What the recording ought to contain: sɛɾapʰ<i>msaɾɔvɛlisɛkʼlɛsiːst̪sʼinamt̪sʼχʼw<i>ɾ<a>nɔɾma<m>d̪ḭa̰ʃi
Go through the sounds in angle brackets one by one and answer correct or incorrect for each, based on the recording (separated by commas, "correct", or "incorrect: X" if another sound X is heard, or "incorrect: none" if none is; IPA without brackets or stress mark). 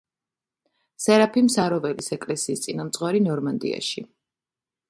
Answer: correct, incorrect: a, incorrect: i, incorrect: n